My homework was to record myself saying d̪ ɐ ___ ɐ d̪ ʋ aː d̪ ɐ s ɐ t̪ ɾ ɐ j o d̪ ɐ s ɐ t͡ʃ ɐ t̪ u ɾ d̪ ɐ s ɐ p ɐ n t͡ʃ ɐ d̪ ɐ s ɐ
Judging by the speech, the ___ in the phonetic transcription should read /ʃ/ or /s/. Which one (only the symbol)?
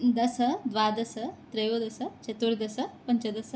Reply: s